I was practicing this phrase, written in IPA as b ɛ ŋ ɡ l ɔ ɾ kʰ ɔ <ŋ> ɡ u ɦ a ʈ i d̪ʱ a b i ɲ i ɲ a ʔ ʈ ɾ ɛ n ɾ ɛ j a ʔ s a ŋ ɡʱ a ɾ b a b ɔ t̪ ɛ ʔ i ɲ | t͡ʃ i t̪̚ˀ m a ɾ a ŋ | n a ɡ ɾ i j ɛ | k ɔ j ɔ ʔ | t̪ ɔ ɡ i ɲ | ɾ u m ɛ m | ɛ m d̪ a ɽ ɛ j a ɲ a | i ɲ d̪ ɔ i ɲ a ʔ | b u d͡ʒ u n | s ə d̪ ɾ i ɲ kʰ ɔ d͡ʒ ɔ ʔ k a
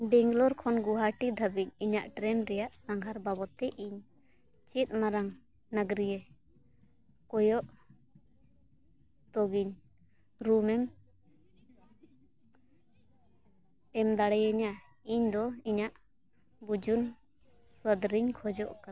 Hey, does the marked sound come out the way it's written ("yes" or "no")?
no